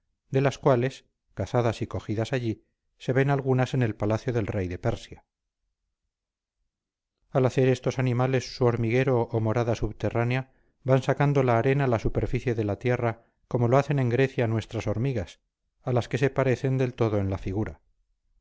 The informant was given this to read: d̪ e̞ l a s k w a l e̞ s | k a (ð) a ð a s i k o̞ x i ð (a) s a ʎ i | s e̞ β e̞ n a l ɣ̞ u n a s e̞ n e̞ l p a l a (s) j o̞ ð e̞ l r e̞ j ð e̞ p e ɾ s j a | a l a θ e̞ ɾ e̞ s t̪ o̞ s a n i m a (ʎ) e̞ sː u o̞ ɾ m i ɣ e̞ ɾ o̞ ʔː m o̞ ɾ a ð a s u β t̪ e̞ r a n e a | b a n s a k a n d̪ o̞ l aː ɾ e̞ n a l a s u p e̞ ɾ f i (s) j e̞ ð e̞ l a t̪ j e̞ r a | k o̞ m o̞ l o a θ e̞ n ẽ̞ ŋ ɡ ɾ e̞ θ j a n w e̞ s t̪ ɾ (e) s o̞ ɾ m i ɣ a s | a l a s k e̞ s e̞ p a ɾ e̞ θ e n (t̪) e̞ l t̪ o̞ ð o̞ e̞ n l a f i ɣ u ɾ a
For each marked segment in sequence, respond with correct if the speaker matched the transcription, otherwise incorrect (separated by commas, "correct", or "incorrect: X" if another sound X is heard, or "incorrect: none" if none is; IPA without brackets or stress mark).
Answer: incorrect: θ, correct, incorrect: θ, incorrect: l, incorrect: θ, incorrect: a, incorrect: d̪